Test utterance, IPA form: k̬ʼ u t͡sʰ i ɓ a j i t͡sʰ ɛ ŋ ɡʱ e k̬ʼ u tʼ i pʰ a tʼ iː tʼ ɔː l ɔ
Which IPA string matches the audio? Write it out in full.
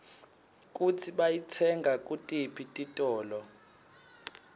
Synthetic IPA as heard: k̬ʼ u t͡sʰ i ɓ a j i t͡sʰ ɛ ŋ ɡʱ a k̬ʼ u tʼ i pʰ i tʼ i tʼ ɔː l ɔ

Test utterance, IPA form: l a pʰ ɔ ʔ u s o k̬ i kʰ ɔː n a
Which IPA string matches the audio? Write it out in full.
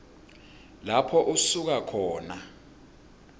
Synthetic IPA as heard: l a pʰ ɔ ʔ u s u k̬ a kʰ ɔː n a

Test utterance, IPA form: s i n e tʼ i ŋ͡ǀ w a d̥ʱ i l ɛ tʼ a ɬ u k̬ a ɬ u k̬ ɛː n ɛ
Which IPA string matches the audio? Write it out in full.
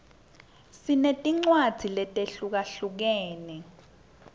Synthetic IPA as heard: s i n e tʼ i ŋ͡ǀ w a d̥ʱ i l ɛ tʼ e ɬ u k̬ a ɬ u k̬ ɛː n ɛ

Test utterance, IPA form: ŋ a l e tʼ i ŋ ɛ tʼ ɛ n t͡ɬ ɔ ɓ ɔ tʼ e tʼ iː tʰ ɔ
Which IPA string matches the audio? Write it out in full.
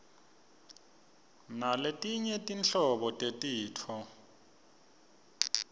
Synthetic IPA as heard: n a l e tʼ i ɲ ɛ tʼ i n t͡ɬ ɔ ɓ ɔ tʼ e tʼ iː tʰ ɔ

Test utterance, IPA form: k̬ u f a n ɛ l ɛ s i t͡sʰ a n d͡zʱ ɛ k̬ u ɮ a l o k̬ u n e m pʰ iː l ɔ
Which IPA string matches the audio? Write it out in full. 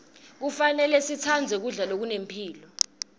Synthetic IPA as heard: k̬ u f a n ɛ l ɛ s i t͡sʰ a n d͡zʱ ɛ k̬ u ɮ a l o k̬ u n e m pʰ iː l ɔ

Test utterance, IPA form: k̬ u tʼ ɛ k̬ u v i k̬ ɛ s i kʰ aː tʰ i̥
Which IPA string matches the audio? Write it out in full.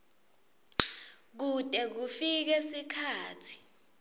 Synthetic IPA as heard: k̬ u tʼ ɛ k̬ u f i k̬ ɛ s i kʰ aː tʰ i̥

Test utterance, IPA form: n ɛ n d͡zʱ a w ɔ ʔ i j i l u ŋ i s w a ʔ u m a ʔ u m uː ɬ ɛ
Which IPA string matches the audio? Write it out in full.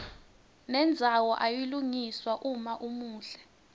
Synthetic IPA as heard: n ɛ n d͡zʱ a w ɔ ʔ a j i l u ŋ i s w a ʔ u m a ʔ u m uː ɬ ɛ

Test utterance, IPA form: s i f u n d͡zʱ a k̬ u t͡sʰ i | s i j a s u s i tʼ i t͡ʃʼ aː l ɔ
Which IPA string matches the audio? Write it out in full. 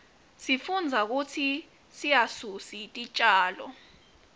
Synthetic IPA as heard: s i f u n d͡zʱ a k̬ u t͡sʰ i | s i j a s u s i tʼ i t͡ʃʼ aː l ɔ

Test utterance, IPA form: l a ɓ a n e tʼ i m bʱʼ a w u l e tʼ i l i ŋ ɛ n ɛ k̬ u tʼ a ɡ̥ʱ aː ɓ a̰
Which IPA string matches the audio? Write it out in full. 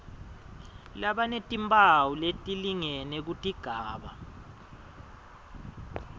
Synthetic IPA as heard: l a ɓ a n e tʼ i m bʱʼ a w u l e tʼ i l i ŋ ɛ n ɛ k̬ u tʼ i ɡ̥ʱ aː ɓ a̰

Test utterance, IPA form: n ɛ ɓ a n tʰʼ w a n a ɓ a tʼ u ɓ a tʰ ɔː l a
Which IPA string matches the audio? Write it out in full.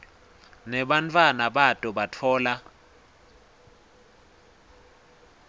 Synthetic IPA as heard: n ɛ ɓ a n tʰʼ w a n a ɓ a tʼ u ɓ a tʰ ɔː l a

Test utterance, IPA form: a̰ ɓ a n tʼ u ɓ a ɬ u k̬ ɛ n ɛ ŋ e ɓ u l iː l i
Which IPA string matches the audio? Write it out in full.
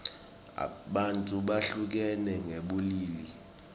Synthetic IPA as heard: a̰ ɓ a n tʼ u ɓ a ɬ u k̬ ɛ n ɛ ŋ e ɓ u l iː l i

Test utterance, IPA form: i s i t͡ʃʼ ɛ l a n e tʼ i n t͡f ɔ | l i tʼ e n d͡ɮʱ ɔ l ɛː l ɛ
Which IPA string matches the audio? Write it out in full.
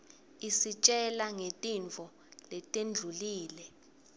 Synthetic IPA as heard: i s i t͡ʃʼ ɛ l a ŋ e tʼ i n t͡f ɔ | l ɛ tʼ e n d͡ɮʱ u l iː l ɛ

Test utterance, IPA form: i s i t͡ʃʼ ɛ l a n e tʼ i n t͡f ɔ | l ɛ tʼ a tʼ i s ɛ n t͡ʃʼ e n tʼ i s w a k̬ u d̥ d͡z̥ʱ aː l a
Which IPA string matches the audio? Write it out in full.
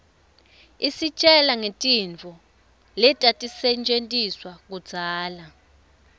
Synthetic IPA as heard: i s i t͡ʃʼ ɛ l a ŋ e tʼ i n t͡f ɔ | l ɛ tʼ a tʼ i s ɛ n t͡ʃʼ e n tʼ i s w a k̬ u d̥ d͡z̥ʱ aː l a

